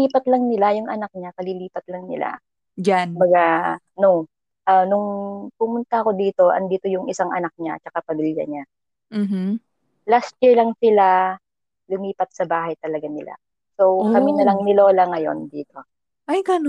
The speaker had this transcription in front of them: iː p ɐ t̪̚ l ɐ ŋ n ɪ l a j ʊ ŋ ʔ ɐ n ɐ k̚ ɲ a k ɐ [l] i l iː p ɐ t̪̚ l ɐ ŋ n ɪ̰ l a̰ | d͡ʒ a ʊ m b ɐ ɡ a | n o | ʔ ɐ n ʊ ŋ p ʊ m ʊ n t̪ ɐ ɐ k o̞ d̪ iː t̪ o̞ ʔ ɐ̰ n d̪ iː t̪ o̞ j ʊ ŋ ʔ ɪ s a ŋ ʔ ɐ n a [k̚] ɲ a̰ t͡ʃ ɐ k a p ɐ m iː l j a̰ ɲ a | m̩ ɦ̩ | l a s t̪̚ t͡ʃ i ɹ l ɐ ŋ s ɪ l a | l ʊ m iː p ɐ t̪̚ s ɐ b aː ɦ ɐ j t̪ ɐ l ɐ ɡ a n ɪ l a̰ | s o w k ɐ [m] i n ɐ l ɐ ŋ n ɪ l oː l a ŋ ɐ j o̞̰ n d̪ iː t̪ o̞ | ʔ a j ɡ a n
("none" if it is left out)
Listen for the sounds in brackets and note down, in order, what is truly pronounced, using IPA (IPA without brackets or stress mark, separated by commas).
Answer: l, k̚, m